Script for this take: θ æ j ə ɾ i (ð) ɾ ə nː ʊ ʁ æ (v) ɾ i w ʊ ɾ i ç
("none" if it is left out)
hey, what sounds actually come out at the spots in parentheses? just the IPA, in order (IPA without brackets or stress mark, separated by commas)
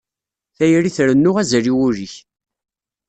θ, z